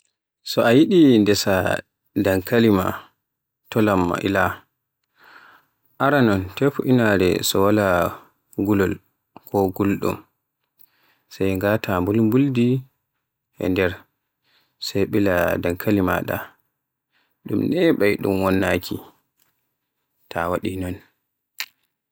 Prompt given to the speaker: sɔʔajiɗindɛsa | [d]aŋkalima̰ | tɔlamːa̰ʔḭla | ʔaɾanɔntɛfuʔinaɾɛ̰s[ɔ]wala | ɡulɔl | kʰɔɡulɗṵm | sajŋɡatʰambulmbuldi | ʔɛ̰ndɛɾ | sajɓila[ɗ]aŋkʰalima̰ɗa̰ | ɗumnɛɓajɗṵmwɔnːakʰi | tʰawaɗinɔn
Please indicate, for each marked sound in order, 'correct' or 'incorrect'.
correct, correct, incorrect

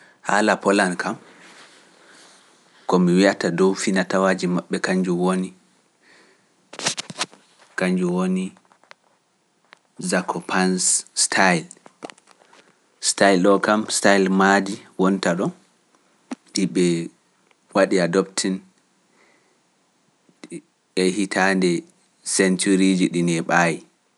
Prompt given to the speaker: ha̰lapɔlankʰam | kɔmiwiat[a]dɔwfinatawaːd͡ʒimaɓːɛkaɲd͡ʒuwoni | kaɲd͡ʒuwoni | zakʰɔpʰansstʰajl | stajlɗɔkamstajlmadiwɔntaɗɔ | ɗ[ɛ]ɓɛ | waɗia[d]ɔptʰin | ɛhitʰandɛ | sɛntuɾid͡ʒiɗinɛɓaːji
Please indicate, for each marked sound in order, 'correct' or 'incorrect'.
correct, incorrect, correct

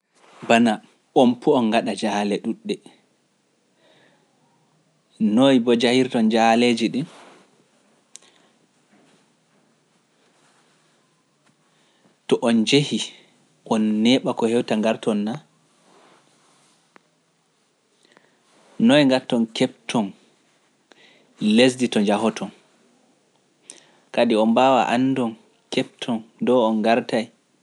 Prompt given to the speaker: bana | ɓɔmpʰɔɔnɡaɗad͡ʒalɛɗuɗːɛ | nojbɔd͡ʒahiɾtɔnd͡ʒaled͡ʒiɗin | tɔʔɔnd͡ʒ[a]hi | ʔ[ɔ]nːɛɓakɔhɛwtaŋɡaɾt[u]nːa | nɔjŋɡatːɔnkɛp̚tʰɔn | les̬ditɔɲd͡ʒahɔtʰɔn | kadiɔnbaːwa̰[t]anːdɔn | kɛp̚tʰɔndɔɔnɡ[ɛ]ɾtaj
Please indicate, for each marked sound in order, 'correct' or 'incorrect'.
incorrect, correct, incorrect, incorrect, incorrect

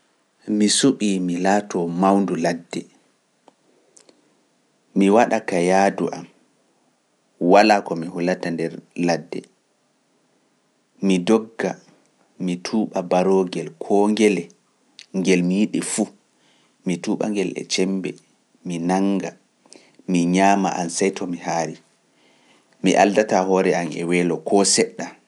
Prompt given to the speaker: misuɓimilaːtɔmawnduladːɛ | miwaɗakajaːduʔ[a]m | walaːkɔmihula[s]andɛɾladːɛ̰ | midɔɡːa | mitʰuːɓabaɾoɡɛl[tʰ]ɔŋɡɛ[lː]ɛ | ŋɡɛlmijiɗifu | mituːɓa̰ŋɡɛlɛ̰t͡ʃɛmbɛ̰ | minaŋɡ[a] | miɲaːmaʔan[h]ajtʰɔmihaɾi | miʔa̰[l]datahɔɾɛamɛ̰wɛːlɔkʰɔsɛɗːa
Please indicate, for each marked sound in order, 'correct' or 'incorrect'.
correct, incorrect, incorrect, incorrect, correct, incorrect, correct

